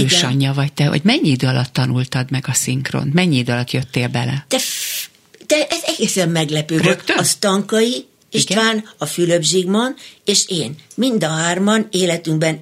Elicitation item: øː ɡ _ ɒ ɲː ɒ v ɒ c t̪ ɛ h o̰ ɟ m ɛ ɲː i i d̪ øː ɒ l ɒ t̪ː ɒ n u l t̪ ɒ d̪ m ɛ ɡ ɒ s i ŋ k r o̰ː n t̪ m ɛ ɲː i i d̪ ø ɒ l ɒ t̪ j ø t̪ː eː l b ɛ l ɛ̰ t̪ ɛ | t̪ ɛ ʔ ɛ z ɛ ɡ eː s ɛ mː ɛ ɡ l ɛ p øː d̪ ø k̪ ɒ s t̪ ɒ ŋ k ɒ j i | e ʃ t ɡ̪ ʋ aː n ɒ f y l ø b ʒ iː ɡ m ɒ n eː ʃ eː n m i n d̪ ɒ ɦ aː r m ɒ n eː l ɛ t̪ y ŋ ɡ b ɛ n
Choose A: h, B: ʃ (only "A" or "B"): B